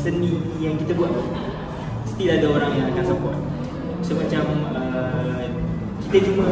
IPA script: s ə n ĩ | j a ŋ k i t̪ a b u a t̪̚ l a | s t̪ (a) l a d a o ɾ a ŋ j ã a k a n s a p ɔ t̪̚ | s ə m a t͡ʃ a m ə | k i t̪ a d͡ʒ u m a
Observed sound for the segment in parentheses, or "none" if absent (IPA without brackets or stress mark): i